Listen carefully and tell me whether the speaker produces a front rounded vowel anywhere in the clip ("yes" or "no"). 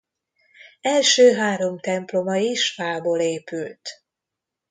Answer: yes